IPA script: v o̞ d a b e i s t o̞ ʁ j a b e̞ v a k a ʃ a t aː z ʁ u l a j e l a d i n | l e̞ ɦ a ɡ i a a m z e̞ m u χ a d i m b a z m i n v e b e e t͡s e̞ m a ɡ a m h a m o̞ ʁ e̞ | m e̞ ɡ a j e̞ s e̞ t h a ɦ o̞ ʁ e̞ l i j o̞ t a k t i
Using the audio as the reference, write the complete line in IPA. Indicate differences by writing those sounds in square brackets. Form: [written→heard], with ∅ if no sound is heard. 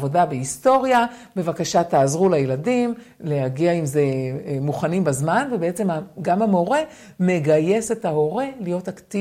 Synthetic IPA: v o̞ d a b e i s t o̞ ʁ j a b e̞ v a k a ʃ a t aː z ʁ u l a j e l a d i [n→m] | l e̞ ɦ a ɡ i a [a→i] m z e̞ m u χ a [d→n] i m b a z m [i→a] n v e b e e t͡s e̞ m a ɡ a m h a m o̞ ʁ e̞ | m e̞ ɡ a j e̞ s e̞ t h a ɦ o̞ ʁ e̞ l i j o̞ t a k t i